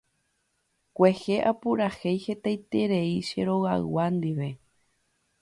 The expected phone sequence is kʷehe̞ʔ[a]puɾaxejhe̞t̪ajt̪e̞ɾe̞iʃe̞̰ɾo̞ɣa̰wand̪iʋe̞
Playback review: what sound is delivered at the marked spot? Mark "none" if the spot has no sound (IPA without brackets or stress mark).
a